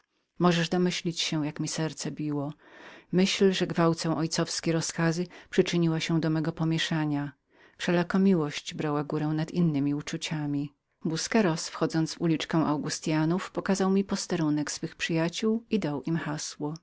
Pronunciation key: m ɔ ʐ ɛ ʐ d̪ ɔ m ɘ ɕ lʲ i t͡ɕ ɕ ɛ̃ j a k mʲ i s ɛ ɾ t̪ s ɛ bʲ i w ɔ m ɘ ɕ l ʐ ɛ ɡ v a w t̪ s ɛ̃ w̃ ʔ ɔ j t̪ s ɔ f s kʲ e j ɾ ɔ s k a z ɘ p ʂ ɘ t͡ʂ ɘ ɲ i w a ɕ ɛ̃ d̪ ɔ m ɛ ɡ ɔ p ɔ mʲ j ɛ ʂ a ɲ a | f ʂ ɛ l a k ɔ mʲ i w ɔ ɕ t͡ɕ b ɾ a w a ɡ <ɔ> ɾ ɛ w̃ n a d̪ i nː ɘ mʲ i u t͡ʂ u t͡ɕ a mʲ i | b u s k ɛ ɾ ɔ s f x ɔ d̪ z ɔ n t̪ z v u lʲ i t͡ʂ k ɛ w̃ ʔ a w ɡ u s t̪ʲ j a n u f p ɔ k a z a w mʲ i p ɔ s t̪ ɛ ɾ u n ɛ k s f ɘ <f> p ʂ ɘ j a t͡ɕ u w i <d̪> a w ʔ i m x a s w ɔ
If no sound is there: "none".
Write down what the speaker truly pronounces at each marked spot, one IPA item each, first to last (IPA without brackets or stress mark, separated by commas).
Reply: u, x, d̪